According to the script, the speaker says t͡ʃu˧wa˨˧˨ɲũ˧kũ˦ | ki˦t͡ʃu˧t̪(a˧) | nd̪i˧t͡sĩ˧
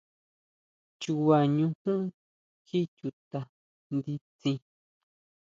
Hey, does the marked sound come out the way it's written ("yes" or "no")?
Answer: yes